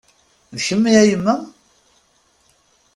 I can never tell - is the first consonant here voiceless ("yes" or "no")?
no